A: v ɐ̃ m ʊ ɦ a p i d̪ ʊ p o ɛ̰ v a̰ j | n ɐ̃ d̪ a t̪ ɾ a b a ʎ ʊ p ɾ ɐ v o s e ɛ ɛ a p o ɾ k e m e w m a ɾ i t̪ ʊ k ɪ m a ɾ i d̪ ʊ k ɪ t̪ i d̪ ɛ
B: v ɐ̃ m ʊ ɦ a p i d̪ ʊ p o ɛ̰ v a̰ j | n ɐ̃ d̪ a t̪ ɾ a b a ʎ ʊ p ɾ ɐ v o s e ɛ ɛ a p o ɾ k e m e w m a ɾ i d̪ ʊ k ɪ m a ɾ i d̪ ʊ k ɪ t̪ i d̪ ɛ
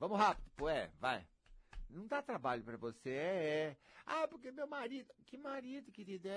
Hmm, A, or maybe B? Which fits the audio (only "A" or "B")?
B